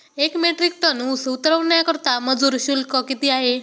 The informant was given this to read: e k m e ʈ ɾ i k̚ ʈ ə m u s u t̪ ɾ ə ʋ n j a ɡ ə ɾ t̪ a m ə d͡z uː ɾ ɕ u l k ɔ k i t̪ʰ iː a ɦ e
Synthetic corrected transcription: e k m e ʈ ɾ i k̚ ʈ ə n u s u t̪ ɾ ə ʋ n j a k ə ɾ t̪ a m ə d͡z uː ɾ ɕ u l k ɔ k i t̪ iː a ɦ e